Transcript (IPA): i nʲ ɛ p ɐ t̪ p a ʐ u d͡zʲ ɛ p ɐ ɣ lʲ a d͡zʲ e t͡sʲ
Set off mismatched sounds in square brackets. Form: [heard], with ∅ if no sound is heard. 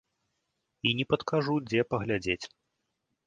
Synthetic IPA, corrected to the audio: i nʲ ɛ p ɐ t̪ [k] a ʐ u d͡zʲ ɛ p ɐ ɣ lʲ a d͡zʲ e t͡sʲ